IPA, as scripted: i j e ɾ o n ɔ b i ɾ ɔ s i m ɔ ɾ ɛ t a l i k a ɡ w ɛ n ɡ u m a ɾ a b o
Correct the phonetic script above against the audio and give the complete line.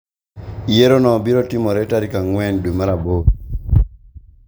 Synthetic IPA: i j e ɾ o n ɔ b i ɾ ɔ t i m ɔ ɾ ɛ t a ɾ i k a ŋ w ɛ n d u m a ɾ a b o